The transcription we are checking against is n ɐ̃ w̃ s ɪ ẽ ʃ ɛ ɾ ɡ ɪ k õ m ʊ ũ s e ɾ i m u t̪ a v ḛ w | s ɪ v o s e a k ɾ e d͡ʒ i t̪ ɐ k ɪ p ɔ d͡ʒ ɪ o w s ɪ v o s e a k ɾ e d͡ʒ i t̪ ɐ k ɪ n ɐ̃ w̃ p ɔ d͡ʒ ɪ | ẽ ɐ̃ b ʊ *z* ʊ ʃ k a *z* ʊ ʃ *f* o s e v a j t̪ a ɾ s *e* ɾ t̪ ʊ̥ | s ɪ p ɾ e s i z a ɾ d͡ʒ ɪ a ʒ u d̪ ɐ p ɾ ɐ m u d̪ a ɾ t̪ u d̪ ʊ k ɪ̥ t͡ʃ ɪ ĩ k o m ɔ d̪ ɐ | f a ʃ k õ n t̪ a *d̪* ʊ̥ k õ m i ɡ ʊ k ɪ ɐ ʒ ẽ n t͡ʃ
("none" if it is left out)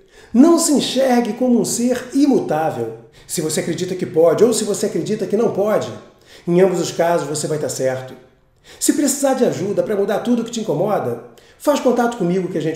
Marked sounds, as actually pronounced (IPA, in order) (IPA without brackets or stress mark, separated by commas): z, z, v, ɛ, t̪